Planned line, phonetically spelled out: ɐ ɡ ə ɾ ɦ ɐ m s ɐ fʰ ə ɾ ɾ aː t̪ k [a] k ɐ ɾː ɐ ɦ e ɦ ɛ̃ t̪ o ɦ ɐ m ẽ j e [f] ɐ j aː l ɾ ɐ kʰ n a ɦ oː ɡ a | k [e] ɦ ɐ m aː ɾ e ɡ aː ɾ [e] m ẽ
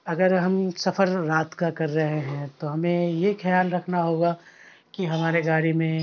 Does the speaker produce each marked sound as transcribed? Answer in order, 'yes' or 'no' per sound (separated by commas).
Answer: yes, no, no, no